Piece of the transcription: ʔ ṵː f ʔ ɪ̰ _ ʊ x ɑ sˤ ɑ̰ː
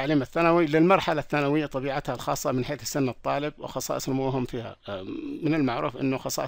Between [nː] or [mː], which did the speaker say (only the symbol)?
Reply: nː